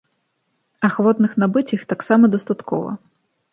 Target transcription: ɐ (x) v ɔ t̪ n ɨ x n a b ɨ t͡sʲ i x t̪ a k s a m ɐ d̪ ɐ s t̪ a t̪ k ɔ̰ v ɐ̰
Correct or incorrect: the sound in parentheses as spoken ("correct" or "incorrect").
correct